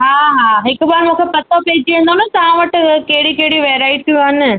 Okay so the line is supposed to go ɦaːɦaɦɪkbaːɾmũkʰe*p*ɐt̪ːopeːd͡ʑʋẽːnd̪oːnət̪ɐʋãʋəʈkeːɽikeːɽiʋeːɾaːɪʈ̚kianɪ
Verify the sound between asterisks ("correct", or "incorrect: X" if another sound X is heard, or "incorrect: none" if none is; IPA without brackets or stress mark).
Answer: correct